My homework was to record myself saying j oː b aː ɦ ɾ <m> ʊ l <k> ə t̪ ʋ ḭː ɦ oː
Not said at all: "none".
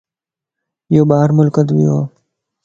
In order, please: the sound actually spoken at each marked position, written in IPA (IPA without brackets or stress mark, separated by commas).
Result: m, k